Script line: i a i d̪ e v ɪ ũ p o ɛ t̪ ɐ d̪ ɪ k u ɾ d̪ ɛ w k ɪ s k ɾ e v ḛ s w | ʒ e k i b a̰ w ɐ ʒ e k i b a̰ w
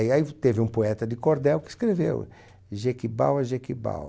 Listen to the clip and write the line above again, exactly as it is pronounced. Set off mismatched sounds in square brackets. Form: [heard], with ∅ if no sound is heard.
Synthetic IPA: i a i [t̪] e v ɪ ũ p o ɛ t̪ ɐ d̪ ɪ k [o] ɾ d̪ ɛ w k ɪ s k ɾ e v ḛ [∅] w | ʒ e k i b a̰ w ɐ ʒ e k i b a̰ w